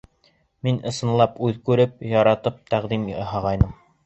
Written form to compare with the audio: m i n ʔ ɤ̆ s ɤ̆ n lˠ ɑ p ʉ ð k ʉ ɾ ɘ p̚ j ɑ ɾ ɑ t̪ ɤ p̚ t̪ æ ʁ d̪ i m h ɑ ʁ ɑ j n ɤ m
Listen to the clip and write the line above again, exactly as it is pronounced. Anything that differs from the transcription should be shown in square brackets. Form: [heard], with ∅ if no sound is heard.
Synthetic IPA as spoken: m i n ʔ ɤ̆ s ɤ̆ n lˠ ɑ p ʉ ð k ʉ ɾ ɘ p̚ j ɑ ɾ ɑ t̪ ɤ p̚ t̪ æ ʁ d̪ i m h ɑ ʁ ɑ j n ɤ m